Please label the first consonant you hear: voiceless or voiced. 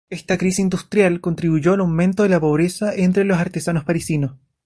voiceless